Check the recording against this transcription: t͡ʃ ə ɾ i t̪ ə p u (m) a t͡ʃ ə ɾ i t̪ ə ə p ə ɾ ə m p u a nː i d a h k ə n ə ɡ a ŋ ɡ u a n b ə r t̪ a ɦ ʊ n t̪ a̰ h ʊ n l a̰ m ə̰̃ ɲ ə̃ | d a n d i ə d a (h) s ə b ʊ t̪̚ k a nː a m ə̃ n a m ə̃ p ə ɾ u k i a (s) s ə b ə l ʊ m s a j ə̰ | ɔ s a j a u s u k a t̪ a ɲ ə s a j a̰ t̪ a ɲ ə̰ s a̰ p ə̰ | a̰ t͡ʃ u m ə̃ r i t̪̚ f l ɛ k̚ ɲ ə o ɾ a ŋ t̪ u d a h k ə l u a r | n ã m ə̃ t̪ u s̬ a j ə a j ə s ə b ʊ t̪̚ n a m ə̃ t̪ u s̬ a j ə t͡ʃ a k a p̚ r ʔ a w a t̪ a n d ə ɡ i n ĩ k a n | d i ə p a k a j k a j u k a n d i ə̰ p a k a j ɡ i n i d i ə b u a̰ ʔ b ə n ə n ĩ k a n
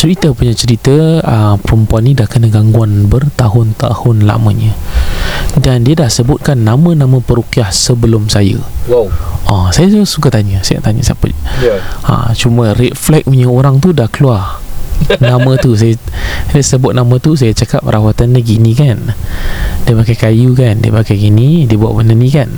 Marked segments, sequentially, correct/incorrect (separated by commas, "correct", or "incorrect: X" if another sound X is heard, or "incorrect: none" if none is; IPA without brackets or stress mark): incorrect: ɲ, correct, incorrect: h